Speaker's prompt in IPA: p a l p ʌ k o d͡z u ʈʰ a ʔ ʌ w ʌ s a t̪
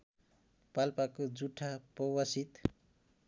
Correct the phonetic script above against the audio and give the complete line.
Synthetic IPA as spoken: p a l p a k o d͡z u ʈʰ a p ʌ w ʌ s i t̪